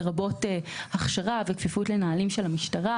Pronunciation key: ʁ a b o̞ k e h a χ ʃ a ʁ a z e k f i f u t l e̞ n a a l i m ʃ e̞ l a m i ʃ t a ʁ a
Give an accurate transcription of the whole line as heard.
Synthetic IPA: ʁ a b o̞ t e h a χ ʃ a ʁ a v e k f i f u t l e̞ n a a l i m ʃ e̞ l a m i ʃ t a ʁ a